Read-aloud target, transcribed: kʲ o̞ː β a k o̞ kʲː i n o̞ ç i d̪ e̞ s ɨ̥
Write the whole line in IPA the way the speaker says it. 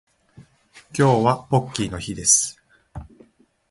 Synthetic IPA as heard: kʲ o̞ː β a p o̞ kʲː i n o̞ ç i d̪ e̞ s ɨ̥